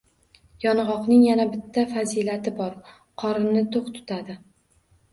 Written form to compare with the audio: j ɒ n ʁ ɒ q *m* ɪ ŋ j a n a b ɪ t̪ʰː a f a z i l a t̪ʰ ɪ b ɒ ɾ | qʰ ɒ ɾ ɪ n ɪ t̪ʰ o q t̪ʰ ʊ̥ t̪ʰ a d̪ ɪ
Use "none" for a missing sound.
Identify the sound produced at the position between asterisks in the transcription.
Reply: n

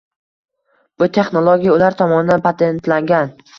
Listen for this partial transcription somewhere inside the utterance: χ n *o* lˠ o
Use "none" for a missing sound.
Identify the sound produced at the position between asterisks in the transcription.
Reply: o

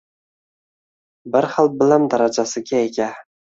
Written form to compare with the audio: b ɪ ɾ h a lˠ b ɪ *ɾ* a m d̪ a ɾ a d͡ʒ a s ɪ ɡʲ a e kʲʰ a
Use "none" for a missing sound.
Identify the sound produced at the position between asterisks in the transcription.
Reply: l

